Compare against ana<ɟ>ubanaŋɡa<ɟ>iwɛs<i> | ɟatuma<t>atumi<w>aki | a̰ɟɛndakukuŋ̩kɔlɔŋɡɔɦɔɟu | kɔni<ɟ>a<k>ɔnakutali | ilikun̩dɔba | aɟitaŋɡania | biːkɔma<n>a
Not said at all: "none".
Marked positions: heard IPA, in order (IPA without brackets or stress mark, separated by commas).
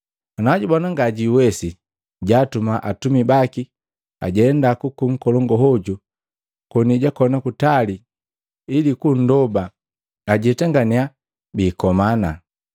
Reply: ɟ, ɟ, i, ʔ, b, ɟ, k, n